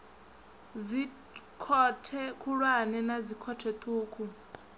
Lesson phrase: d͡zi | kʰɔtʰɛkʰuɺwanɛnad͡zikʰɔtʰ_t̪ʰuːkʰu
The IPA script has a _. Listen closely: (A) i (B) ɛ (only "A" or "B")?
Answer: B